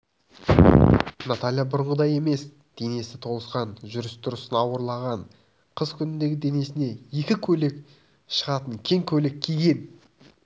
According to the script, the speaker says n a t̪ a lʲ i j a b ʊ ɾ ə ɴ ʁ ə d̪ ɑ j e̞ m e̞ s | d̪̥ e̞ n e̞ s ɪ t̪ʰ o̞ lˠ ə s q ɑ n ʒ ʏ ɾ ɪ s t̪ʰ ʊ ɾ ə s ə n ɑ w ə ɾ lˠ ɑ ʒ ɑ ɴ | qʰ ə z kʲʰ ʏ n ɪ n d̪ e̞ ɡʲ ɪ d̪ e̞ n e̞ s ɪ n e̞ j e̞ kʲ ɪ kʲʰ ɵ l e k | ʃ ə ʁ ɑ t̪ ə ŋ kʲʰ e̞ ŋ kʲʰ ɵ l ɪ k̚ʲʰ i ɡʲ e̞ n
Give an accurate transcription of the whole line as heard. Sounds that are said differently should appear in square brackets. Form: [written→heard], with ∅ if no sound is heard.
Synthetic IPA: n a t̪ a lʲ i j a b ʊ ɾ ə ɴ ʁ ə d̪ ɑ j e̞ m e̞ s | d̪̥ e̞ n e̞ s ɪ t̪ʰ o̞ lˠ ə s q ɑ n ʒ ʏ ɾ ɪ s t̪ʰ ʊ ɾ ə s ə n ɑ w ə ɾ lˠ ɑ [ʒ→ʁ] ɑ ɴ | qʰ ə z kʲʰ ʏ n ɪ n d̪ e̞ ɡʲ ɪ d̪ e̞ n e̞ s ɪ n e̞ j e̞ kʲ ɪ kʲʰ ɵ l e k | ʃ ə ʁ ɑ t̪ ə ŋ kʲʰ e̞ ŋ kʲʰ ɵ l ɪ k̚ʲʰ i ɡʲ e̞ n